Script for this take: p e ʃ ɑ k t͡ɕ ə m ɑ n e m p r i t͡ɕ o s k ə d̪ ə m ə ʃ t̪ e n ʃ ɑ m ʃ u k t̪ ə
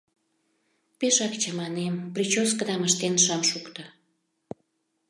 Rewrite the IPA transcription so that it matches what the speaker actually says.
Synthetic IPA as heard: p e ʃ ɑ k t͡ɕ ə m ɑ n e m p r i t͡ɕ o s k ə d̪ ɑ m ə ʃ t̪ e n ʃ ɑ m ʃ u k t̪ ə